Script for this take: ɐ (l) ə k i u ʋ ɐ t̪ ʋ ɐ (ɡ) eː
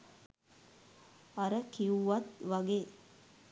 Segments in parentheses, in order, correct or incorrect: incorrect: ɾ, correct

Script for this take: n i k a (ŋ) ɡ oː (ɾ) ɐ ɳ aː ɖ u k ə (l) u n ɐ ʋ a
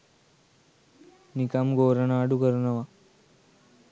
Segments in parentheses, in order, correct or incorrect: incorrect: m, correct, incorrect: ɾ

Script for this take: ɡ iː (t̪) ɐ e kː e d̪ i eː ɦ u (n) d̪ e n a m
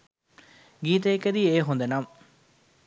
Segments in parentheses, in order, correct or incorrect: correct, correct

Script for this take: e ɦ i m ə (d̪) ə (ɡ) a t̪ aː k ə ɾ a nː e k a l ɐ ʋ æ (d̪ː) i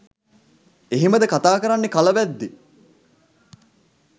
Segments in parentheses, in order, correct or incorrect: correct, incorrect: k, correct

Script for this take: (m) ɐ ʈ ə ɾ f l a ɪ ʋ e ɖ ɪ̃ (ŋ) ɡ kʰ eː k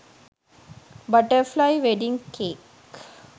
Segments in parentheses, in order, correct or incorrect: incorrect: b, correct

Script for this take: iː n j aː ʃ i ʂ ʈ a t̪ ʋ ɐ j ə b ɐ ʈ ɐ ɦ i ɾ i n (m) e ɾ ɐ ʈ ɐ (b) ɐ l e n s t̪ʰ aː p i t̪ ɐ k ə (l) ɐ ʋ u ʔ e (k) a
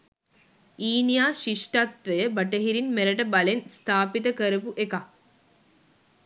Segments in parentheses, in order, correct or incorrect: correct, correct, incorrect: ɾ, correct

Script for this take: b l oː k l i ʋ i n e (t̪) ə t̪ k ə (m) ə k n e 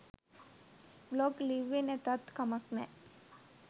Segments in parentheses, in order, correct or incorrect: correct, correct

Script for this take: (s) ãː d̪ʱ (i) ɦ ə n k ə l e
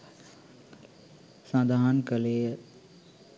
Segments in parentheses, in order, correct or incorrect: correct, incorrect: a

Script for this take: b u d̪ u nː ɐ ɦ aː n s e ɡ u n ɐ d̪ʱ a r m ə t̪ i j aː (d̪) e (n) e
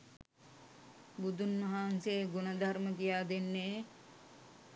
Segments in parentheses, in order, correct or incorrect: correct, incorrect: nː

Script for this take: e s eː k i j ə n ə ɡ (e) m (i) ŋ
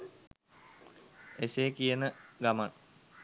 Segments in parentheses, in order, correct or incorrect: incorrect: a, incorrect: a

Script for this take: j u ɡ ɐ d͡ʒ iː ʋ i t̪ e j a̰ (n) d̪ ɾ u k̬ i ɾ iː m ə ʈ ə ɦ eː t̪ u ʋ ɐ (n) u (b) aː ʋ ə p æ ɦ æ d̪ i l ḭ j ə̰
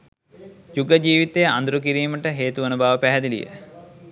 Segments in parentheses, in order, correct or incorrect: correct, correct, correct

